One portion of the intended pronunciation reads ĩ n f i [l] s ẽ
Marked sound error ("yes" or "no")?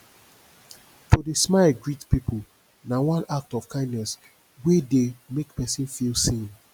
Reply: no